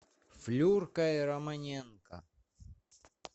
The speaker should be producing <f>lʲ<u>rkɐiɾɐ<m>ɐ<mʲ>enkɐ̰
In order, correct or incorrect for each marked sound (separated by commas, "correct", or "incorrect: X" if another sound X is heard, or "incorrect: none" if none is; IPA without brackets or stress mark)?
correct, correct, correct, incorrect: nʲ